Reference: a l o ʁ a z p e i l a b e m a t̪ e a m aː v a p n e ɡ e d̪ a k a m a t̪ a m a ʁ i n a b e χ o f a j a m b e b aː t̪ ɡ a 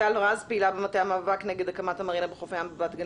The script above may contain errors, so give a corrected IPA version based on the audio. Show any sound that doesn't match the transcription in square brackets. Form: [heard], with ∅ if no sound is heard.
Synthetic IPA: a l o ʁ a z p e i l a b e m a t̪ e a m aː v a [k] n e ɡ e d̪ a k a m a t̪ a m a ʁ i n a b e χ o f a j a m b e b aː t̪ ɡ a